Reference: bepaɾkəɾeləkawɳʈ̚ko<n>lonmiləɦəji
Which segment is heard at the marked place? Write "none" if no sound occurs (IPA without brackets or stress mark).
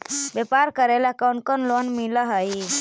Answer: n